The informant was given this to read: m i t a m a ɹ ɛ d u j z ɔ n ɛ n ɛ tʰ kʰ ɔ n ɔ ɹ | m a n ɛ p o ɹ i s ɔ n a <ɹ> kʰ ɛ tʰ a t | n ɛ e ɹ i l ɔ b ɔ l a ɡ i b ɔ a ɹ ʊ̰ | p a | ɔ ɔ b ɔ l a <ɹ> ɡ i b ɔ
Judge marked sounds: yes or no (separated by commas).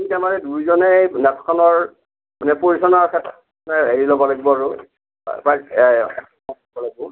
yes, no